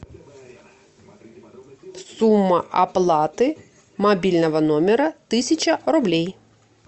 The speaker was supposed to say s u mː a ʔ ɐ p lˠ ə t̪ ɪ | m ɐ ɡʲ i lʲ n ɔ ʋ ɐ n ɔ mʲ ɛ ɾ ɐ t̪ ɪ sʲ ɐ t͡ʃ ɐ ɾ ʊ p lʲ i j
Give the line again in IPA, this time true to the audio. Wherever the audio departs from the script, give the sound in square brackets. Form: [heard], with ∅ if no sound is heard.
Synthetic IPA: s u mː [ɐ] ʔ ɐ p lˠ [ɑ] t̪ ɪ | m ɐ [bʲ] i lʲ n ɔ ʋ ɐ n ɔ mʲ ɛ ɾ ɐ t̪ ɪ sʲ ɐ t͡ʃ ɐ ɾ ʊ [b] lʲ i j

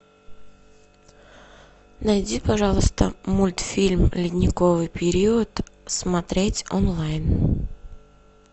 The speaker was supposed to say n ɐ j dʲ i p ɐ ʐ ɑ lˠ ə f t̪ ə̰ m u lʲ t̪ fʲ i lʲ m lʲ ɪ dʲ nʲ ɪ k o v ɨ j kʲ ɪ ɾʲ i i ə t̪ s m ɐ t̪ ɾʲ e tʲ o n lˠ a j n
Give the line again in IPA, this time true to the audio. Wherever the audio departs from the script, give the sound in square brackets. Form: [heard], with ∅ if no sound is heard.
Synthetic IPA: n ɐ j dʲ i p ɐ ʐ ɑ lˠ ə [s] t̪ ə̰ m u lʲ t̪ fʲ i lʲ m lʲ ɪ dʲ nʲ ɪ k o v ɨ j [pʲ] ɪ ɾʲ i i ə t̪ s m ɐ t̪ ɾʲ e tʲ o n lˠ a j n

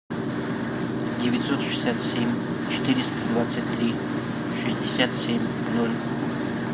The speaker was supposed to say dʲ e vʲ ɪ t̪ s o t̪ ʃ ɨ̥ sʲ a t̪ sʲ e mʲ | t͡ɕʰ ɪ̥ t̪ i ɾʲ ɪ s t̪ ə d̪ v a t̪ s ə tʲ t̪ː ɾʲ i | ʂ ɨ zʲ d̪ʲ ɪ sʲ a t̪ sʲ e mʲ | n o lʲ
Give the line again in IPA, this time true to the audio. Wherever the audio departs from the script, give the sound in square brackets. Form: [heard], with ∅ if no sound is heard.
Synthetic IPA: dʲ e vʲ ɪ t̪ s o t̪ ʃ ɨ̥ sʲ a t̪ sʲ e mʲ | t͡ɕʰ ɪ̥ t̪ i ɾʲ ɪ s t̪ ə d̪ v a t̪ s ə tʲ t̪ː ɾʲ i | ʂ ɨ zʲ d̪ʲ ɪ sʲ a t̪ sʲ e mʲ | n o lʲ

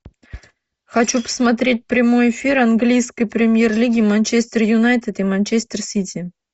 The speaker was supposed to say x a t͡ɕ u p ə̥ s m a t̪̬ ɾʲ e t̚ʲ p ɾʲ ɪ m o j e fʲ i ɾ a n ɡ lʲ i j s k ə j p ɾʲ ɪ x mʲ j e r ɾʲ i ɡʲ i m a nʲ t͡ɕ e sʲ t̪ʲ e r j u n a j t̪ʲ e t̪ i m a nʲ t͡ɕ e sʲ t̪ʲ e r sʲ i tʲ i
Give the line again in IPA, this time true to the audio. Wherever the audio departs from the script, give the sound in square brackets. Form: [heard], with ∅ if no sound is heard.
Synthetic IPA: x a t͡ɕ u p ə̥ s m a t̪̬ ɾʲ e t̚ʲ p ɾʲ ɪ m o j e fʲ i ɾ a n ɡ lʲ i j s k ə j p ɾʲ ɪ [∅] mʲ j e r [lʲ] i ɡʲ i m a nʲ t͡ɕ e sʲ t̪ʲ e r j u n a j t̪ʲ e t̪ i m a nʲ t͡ɕ e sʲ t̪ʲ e r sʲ i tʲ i

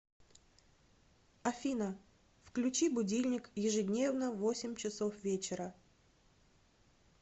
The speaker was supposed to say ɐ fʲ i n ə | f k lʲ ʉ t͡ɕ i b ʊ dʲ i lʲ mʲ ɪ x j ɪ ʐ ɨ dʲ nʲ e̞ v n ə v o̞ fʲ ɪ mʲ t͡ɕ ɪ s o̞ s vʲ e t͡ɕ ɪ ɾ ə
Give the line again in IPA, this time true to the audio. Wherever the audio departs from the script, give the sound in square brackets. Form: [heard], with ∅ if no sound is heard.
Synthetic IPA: ɐ fʲ i n ə | f k lʲ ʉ t͡ɕ i b ʊ dʲ i lʲ [nʲ] ɪ [k] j ɪ ʐ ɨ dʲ nʲ e̞ v n ə v o̞ [sʲ] ɪ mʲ t͡ɕ ɪ s o̞ [f] vʲ e t͡ɕ ɪ ɾ ə

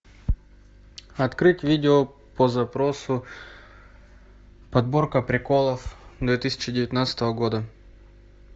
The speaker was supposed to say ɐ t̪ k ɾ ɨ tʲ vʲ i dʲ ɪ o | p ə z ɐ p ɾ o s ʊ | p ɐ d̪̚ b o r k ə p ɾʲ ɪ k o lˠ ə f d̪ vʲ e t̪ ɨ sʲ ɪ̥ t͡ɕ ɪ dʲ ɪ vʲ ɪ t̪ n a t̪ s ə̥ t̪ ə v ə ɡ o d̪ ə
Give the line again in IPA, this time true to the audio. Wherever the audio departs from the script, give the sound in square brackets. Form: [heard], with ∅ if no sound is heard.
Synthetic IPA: ɐ t̪ k ɾ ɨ tʲ vʲ i dʲ ɪ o | p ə z ɐ p ɾ o s ʊ | p ɐ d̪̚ b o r k ə p ɾʲ ɪ k o lˠ ə f d̪ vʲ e t̪ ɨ sʲ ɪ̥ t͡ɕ ɪ dʲ ɪ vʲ ɪ t̪ n a t̪ s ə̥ t̪ ə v ə ɡ o d̪ ə

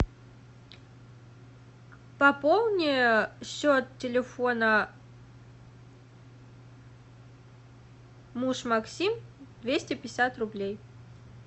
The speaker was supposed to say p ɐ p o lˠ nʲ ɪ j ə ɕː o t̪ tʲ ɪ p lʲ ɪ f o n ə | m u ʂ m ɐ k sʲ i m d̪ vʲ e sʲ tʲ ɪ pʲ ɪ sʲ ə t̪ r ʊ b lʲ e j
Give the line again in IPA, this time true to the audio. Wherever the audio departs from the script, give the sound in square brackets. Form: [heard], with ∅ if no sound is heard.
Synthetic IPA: p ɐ p o lˠ nʲ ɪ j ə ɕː o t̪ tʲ ɪ [∅] lʲ ɪ f o n ə | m u ʂ m ɐ k sʲ i m d̪ vʲ e sʲ tʲ ɪ pʲ ɪ sʲ [a] t̪ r ʊ b lʲ e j

